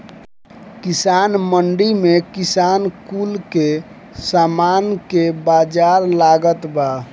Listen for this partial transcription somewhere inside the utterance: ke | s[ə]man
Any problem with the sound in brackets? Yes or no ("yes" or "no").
yes